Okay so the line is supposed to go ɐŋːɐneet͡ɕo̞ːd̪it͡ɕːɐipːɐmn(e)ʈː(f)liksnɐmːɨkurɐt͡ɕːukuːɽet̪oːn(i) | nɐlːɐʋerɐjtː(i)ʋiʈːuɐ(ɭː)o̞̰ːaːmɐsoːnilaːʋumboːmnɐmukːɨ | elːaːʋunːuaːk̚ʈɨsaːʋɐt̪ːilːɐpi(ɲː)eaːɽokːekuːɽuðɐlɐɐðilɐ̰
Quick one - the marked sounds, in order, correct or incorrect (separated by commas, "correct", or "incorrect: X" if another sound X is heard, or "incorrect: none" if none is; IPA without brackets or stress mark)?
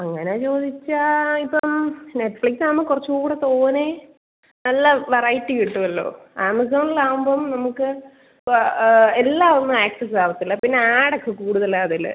correct, correct, incorrect: e, correct, incorrect: lː, incorrect: nː